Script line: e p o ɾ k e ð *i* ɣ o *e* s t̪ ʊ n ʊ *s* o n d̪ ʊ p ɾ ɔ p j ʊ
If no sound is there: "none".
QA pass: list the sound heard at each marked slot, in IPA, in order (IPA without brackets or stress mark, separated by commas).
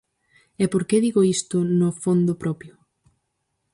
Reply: i, i, f